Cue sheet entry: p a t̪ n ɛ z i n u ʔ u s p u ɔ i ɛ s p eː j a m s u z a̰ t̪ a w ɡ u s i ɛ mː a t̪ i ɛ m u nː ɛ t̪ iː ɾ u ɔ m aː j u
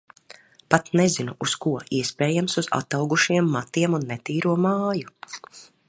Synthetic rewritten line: p a t̪ n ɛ z i n u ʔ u s k u ɔ i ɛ s p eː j a m s u z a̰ t̪ a w ɡ u ʃ i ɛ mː a t̪ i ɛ m u nː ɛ t̪ iː ɾ u ɔ m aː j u